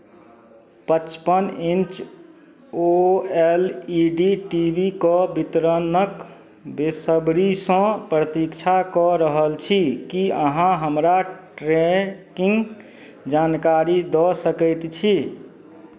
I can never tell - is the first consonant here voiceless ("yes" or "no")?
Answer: yes